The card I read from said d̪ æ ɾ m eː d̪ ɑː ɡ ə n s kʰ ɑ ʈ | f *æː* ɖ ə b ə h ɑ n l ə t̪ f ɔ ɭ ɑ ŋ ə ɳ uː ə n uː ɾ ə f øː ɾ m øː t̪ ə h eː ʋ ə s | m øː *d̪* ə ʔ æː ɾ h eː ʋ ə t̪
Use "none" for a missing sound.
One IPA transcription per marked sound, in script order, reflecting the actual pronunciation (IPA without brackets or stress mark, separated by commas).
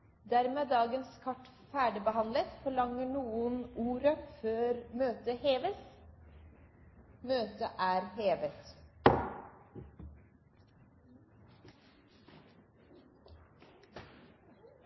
æː, t̪